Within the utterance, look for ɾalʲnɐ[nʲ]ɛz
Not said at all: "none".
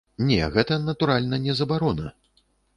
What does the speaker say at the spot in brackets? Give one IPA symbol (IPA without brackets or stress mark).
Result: nʲ